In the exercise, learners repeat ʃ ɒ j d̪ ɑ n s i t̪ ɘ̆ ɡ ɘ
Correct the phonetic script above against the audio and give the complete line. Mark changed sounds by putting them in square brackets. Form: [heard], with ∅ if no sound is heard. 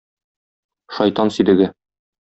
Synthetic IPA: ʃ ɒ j [t̪] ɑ n s i [d̪] ɘ̆ ɡ ɘ